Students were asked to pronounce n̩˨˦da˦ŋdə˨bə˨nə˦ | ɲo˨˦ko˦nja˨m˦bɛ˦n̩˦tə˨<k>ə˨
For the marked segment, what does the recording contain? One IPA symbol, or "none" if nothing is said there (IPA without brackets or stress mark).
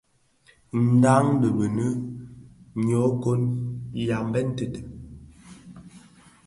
t